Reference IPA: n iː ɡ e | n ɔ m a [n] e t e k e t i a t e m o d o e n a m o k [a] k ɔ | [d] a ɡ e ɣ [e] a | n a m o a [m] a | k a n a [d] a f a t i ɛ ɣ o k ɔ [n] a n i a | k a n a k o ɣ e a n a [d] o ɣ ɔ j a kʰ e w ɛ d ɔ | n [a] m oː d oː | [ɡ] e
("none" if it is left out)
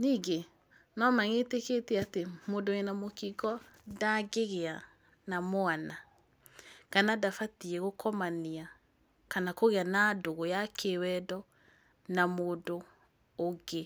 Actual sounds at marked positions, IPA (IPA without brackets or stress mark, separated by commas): ŋ, i, d, e, n, d, m, d, a, ɡ